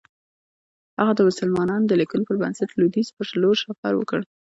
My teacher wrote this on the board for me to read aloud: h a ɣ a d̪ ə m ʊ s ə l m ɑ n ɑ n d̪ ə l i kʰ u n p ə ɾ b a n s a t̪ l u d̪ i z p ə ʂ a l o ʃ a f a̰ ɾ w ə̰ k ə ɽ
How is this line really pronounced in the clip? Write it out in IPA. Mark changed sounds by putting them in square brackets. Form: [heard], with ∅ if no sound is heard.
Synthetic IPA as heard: h a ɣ a d̪ ə m ʊ s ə l m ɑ n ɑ n d̪ ə l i [k] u n p ə ɾ b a n s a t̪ l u d̪ i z p ə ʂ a l o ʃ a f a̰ ɾ w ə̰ k ə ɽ